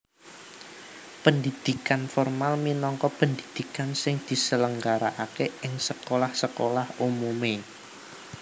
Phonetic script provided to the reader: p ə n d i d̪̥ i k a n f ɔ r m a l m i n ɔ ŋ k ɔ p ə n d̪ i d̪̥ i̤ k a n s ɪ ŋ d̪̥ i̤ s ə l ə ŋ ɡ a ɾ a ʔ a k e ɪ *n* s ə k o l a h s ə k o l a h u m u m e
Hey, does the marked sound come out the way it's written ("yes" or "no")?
no